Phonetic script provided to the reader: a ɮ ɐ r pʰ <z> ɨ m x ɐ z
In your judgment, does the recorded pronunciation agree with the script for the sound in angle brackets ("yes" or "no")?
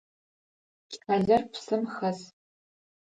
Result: no